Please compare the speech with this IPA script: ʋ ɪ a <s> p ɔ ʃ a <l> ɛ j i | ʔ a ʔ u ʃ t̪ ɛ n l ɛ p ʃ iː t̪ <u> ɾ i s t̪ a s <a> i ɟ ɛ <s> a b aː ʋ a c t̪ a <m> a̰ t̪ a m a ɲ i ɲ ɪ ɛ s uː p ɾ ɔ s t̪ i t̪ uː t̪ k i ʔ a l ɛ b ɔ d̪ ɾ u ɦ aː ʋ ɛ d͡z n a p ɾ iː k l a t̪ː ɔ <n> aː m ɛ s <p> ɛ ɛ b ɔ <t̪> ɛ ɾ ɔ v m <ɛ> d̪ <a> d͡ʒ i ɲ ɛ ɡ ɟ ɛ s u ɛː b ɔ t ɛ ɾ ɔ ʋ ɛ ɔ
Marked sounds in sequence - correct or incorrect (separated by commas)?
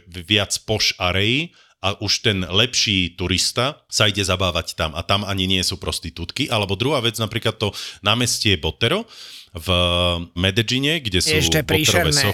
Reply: incorrect, incorrect, correct, correct, incorrect, correct, correct, incorrect, correct, correct, incorrect